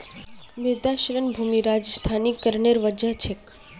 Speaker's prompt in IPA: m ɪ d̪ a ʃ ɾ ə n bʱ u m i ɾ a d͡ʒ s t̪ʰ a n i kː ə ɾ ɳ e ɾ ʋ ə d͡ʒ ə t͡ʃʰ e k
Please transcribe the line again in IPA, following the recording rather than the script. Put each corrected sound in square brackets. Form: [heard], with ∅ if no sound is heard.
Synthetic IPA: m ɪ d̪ a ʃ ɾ ə n bʱ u m i ɾ a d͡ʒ s t̪ʰ a n i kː ə ɾ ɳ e ɾ ʋ ə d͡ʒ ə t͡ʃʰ e k